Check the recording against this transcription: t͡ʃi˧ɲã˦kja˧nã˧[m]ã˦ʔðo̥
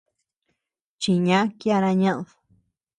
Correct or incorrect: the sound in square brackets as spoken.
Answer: incorrect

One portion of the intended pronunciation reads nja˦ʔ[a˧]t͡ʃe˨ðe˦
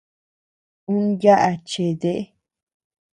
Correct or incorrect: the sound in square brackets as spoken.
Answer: correct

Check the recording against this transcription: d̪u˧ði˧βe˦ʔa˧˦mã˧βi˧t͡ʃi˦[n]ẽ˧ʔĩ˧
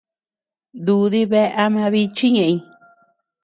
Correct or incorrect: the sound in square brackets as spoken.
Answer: incorrect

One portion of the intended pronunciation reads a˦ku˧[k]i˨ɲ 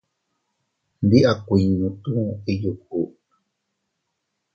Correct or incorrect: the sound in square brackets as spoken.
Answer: incorrect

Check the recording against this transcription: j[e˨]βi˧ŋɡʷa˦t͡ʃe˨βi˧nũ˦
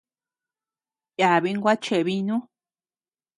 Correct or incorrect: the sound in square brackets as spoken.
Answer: incorrect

